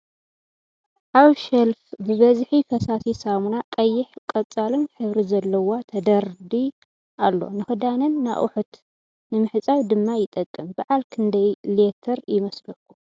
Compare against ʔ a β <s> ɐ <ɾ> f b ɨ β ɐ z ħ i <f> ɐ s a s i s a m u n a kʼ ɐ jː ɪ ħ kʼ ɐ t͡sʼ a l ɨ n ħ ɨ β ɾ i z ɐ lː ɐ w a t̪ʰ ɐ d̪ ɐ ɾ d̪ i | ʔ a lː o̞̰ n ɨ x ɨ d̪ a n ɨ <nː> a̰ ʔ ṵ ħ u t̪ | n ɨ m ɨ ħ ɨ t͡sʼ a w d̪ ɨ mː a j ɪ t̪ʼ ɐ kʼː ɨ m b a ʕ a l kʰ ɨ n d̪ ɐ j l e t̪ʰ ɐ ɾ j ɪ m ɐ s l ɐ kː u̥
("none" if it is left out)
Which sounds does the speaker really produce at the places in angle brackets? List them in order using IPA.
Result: ʃ, l, f, nː

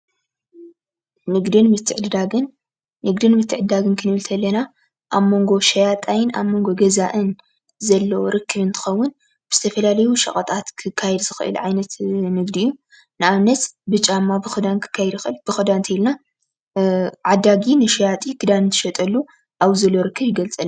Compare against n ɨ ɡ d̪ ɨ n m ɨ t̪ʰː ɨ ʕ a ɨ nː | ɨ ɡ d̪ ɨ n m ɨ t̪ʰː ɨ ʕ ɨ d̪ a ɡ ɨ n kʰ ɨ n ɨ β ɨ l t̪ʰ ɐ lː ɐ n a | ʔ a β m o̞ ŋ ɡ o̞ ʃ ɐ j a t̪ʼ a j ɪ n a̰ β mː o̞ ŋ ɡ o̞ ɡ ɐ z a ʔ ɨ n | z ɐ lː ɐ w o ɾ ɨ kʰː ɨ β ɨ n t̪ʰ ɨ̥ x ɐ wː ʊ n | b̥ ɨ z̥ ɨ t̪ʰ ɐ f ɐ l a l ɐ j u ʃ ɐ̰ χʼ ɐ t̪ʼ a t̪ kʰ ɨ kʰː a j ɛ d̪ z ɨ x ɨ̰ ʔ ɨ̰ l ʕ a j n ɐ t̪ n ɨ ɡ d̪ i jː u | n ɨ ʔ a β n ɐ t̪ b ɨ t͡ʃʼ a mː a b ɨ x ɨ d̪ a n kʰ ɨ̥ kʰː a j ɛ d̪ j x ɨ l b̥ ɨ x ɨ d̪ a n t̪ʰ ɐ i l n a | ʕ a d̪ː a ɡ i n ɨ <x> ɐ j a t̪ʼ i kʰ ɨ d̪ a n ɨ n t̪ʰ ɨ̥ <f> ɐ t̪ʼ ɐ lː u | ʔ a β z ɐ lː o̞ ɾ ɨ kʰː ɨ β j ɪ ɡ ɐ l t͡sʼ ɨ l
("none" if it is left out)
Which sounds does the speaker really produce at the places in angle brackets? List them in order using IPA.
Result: ʃ, ʃ

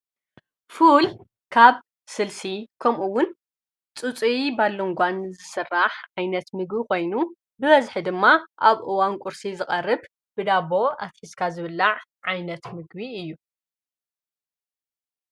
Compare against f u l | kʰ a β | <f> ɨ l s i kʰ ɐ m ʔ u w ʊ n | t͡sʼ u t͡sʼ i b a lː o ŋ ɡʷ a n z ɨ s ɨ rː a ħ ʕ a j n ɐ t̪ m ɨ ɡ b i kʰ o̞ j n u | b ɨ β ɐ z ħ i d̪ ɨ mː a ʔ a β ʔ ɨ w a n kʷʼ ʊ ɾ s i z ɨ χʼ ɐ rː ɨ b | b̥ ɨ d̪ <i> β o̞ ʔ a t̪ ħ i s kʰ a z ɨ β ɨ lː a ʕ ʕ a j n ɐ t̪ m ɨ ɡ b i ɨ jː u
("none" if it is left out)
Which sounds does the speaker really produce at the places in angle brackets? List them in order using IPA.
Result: s, a

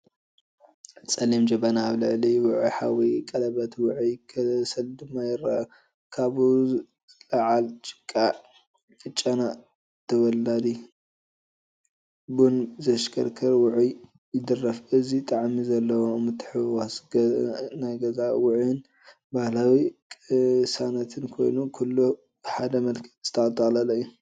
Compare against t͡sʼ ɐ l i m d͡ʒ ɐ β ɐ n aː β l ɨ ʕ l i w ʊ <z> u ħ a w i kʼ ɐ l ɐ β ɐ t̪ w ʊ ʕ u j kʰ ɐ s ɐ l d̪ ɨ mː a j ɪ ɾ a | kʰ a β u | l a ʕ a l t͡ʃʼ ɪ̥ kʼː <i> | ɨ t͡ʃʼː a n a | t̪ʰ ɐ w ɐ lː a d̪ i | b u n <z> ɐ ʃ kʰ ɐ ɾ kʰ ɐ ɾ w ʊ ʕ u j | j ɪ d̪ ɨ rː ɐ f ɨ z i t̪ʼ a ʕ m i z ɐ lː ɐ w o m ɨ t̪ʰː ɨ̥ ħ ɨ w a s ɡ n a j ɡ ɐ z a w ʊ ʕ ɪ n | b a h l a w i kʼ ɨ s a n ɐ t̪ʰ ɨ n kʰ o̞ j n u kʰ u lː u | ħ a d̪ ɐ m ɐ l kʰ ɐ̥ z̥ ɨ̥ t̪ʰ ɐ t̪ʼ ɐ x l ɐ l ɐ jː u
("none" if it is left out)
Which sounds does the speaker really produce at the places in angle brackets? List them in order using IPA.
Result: ʕ, a, z

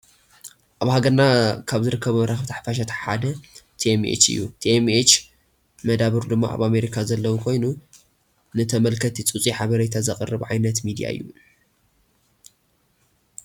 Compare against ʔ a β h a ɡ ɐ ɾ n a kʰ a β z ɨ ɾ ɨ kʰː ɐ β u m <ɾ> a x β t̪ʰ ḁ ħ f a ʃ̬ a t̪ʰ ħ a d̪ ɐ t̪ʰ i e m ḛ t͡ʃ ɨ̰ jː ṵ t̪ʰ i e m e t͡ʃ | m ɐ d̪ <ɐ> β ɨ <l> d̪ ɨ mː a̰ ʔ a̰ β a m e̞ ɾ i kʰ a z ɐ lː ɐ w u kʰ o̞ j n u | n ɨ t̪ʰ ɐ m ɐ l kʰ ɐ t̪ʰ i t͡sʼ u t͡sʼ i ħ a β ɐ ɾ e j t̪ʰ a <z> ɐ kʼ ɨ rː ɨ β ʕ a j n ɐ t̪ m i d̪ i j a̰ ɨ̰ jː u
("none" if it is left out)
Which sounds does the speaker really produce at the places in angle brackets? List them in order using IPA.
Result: ɾ, a, ɾ, z

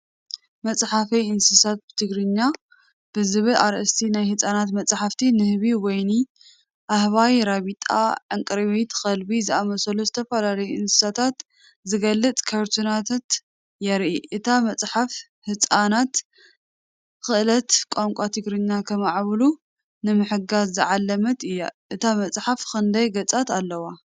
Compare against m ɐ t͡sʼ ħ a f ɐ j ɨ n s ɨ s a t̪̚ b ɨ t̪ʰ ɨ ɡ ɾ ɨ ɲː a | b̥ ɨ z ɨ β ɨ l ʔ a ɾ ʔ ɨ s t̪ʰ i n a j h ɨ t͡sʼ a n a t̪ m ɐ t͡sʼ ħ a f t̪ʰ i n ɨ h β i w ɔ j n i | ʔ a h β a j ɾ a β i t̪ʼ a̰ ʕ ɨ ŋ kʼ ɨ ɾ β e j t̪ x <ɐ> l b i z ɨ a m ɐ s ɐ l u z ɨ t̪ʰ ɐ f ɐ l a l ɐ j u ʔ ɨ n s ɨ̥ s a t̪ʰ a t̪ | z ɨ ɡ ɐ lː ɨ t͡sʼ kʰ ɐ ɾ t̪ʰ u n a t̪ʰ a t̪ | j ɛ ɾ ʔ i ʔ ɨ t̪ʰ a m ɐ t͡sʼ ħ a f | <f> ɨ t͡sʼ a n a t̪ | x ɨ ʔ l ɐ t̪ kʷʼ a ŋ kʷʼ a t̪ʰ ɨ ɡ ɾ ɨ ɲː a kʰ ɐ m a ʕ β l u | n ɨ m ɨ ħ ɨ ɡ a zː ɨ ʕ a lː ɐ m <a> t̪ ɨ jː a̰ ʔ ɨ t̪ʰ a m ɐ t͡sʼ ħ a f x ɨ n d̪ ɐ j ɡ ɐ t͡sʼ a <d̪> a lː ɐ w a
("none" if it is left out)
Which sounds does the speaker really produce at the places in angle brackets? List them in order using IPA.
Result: ɐ, h, ɐ, t̪

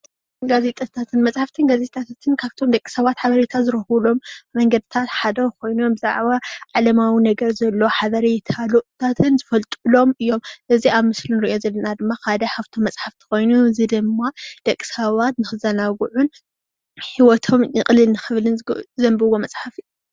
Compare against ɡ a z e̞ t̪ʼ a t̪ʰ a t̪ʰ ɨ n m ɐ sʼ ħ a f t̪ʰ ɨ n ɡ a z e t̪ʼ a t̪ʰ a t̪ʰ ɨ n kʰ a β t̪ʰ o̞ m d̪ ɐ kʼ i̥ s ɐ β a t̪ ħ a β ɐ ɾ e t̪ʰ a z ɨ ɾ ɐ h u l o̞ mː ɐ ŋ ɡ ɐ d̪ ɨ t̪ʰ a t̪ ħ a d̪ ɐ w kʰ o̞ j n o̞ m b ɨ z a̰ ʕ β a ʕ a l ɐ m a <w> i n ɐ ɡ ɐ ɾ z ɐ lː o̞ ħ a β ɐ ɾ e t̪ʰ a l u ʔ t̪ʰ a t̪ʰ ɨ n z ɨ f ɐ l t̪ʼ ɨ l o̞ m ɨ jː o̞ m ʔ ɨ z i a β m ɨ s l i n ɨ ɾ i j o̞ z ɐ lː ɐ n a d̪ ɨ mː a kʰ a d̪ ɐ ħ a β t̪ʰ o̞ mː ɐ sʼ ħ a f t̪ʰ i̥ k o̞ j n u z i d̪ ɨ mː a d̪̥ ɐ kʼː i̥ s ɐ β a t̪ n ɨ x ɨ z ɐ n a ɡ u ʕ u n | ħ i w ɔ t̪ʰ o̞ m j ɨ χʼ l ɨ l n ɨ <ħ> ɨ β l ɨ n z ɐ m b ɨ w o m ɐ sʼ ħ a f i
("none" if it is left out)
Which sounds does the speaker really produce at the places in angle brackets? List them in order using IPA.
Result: w, x

